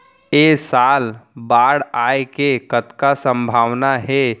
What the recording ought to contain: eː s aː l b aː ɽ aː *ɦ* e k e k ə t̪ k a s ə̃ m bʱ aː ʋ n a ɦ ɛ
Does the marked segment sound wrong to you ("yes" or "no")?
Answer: yes